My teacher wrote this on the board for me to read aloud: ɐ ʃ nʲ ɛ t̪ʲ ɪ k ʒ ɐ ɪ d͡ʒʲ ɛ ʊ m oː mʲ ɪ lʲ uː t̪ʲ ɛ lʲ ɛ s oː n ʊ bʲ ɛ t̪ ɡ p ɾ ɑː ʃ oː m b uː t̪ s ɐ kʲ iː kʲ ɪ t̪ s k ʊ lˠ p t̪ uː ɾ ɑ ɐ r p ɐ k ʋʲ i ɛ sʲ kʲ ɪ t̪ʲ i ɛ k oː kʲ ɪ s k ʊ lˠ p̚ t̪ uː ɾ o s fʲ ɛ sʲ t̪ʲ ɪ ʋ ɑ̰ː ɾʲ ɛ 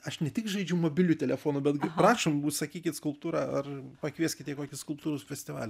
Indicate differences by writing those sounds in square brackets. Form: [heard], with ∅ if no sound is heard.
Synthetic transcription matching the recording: ɐ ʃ nʲ ɛ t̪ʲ ɪ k ʒ ɐ ɪ d͡ʒʲ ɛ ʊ m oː [bʲ] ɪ lʲ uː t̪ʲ ɛ lʲ ɛ [f] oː n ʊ bʲ ɛ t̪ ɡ p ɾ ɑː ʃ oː m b uː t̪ s ɐ kʲ iː kʲ ɪ t̪ s k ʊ lˠ p t̪ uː ɾ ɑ ɐ r p ɐ k ʋʲ i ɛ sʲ kʲ ɪ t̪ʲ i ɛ k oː kʲ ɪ s k ʊ lˠ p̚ t̪ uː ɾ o s fʲ ɛ sʲ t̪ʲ ɪ ʋ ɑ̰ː [lʲ] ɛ